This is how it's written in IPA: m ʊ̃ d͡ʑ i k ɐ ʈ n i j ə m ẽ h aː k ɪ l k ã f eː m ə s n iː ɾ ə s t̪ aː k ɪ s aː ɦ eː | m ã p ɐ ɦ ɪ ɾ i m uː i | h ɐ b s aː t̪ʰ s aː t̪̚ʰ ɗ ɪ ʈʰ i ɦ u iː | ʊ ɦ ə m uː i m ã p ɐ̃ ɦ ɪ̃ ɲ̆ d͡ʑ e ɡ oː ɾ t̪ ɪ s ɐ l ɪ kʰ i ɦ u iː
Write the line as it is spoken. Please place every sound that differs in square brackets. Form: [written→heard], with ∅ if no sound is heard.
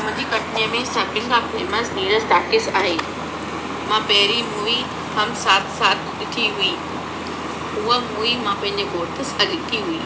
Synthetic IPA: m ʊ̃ d͡ʑ i k ɐ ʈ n i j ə m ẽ [h→s] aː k ɪ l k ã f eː m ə s n iː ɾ ə s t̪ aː k ɪ s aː ɦ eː | m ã p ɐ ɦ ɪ ɾ i m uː i | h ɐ [b→m] s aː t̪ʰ s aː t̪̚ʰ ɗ ɪ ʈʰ i ɦ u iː | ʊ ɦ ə m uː i m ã p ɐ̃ ɦ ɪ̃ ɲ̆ d͡ʑ e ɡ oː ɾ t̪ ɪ s ɐ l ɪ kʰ i ɦ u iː